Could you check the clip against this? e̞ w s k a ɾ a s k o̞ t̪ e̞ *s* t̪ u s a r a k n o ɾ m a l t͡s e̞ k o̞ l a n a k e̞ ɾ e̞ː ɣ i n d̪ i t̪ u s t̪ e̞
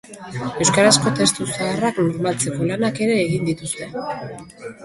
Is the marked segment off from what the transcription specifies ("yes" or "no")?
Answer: no